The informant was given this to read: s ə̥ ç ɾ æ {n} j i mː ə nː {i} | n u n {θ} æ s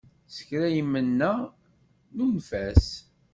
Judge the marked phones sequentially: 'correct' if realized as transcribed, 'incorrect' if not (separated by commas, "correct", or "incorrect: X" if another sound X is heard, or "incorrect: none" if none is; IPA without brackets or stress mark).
incorrect: none, incorrect: æ, incorrect: f